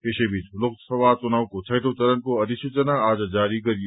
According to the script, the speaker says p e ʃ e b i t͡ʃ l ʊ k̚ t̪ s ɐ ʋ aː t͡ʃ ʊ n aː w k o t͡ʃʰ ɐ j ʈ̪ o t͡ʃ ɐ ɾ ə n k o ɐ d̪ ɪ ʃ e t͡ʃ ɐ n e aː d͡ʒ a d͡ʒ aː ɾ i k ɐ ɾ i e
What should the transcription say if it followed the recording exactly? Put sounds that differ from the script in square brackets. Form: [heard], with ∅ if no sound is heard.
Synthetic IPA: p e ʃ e b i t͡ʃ l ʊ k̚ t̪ s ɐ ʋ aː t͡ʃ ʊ n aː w k o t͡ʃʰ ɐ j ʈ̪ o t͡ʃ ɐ ɾ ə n k o ɐ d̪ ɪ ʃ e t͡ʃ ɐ n [a] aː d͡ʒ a d͡ʒ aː ɾ i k ɐ ɾ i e